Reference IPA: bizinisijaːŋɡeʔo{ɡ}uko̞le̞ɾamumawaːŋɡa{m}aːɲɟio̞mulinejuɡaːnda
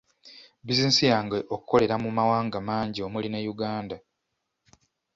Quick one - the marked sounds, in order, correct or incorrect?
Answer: incorrect: k, correct

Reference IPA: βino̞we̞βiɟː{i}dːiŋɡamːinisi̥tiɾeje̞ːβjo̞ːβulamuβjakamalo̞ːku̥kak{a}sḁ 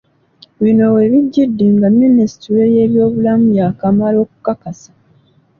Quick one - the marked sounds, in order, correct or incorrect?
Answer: correct, correct

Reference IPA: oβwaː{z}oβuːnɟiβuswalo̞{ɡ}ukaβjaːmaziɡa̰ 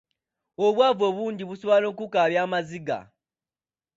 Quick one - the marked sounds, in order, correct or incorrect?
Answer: incorrect: v, incorrect: k

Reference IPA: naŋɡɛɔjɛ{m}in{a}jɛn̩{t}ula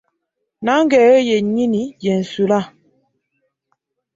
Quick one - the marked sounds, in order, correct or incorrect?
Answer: incorrect: ɲ, incorrect: i, incorrect: s

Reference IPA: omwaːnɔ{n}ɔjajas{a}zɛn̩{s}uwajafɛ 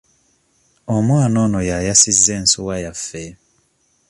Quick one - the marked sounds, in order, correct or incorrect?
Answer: correct, incorrect: i, correct

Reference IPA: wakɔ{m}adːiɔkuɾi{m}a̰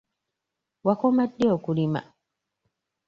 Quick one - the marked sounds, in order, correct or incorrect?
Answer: correct, correct

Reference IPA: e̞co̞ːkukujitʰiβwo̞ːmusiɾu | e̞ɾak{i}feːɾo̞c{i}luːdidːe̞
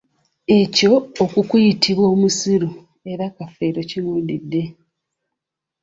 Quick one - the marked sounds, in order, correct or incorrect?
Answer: incorrect: a, correct

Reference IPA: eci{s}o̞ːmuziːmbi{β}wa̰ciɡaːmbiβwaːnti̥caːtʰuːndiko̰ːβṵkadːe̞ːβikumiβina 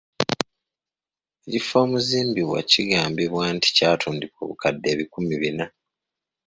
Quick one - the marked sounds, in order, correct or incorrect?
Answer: incorrect: f, correct

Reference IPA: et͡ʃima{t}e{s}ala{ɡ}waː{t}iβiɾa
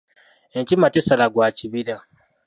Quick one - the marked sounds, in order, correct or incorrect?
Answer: correct, correct, correct, incorrect: t͡ʃ

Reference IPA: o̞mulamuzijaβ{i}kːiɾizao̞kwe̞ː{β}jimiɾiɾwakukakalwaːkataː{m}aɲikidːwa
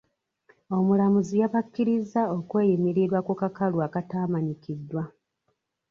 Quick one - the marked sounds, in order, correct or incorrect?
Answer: incorrect: a, incorrect: none, correct

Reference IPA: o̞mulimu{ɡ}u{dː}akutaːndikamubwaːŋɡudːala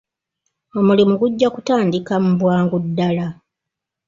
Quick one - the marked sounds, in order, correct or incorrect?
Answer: correct, incorrect: ɟː

